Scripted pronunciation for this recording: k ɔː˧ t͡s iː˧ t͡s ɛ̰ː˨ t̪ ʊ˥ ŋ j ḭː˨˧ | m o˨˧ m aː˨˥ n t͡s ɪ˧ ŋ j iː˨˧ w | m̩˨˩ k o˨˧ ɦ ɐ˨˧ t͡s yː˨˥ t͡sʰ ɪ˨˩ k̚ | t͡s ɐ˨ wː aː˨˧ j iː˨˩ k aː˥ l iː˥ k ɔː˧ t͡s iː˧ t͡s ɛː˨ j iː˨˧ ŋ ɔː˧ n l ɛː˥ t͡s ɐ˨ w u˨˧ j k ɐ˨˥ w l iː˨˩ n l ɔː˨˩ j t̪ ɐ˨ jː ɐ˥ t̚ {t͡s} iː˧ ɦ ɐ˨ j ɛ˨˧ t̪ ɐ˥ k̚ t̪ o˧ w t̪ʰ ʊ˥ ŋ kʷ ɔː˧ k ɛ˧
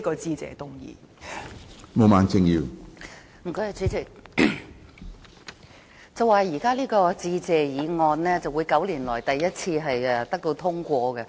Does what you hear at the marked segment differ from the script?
yes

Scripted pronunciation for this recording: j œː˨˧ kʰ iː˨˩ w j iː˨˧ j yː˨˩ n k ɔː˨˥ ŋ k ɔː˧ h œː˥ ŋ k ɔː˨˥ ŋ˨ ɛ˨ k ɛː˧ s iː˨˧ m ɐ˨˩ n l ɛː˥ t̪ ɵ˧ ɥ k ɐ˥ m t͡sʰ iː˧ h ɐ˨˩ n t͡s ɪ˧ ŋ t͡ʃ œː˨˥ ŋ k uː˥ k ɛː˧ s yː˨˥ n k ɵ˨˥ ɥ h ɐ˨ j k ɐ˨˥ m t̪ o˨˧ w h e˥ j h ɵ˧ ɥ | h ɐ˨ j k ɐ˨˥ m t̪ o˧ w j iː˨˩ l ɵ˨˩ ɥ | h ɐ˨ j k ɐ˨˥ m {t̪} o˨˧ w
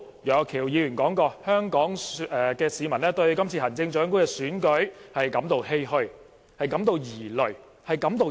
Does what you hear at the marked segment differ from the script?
no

